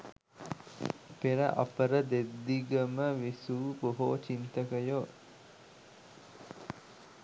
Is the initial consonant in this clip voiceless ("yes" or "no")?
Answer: yes